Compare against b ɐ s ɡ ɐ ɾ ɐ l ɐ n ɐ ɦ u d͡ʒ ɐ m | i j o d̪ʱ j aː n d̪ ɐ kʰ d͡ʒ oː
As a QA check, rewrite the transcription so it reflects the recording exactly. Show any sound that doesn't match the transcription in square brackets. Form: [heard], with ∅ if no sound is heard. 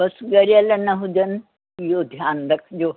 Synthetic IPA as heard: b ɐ s ɡ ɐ ɾ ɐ l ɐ n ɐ ɦ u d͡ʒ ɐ [n] | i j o d̪ʱ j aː n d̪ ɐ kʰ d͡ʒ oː